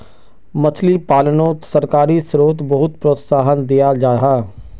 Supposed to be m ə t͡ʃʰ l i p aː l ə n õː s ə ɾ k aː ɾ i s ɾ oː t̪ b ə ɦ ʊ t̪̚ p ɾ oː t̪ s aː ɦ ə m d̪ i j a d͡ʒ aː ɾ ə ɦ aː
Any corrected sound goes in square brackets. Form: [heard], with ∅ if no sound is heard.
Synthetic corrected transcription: m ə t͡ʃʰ l i p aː l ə n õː s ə ɾ k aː ɾ i s ɾ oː t̪ b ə ɦ ʊ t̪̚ p ɾ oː t̪ s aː ɦ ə [n] d̪ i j a d͡ʒ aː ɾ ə ɦ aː